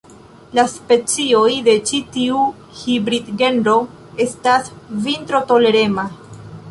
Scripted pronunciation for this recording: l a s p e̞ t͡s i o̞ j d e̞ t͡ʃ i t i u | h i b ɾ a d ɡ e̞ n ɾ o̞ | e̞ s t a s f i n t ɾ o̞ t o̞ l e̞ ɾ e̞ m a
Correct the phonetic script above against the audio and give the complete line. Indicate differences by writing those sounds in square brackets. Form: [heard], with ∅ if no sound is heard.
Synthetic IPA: l a s p e̞ t͡s i o̞ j d e̞ t͡ʃ i t i u | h i b ɾ [i] d ɡ e̞ n ɾ o̞ | e̞ s t a s [v] i n t ɾ o̞ t o̞ l e̞ ɾ e̞ m a